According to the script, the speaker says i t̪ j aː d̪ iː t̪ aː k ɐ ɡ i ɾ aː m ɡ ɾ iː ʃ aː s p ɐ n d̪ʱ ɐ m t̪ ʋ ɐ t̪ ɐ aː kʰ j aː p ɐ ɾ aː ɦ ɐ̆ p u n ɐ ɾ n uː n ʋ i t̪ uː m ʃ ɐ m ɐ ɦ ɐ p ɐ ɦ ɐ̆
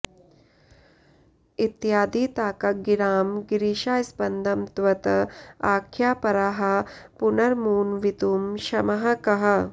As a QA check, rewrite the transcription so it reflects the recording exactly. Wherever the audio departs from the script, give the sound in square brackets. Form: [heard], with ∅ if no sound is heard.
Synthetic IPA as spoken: i t̪ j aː d̪ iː t̪ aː k ɐ ɡ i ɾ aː m ɡ ɾ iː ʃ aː s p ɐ n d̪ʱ ɐ m t̪ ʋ ɐ t̪ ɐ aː kʰ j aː p ɐ ɾ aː ɦ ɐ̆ p u n ɐ ɾ [m] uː n ʋ i t̪ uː m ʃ ɐ m ɐ ɦ ɐ [k] ɐ ɦ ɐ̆